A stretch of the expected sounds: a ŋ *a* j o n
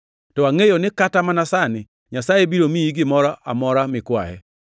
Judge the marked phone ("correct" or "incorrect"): incorrect